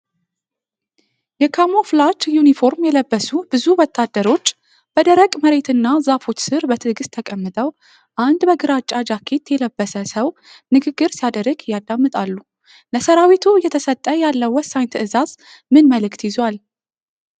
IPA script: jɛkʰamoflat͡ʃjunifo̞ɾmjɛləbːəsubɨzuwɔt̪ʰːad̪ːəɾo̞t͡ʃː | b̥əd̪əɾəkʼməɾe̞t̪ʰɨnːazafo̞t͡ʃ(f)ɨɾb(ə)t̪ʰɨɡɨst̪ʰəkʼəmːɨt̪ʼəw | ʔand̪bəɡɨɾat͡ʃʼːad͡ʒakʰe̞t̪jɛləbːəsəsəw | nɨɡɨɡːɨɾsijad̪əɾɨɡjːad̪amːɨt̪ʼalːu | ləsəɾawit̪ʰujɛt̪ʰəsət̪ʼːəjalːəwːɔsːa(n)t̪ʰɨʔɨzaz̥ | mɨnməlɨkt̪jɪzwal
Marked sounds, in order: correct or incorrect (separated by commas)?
incorrect, correct, incorrect